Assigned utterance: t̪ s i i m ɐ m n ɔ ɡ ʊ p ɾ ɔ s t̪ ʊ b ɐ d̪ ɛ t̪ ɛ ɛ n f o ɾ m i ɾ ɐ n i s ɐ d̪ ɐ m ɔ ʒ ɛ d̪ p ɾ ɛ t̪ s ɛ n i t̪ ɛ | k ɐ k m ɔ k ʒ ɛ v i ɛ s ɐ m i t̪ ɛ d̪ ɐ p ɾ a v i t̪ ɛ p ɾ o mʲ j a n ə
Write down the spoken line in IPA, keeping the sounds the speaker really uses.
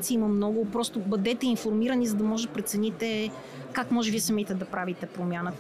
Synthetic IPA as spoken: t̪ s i i m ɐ m n ɔ ɡ ʊ p ɾ ɔ s t̪ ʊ b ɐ d̪ ɛ t̪ ɛ i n f o ɾ m i ɾ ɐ n i z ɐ d̪ ɐ m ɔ ʒ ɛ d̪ p ɾ ɛ t̪ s ɛ n i t̪ ɛ | k a k m ɔ ʒ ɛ v i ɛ s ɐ m i t̪ ɛ d̪ ɐ p ɾ a v i t̪ ɛ p ɾ o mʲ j a n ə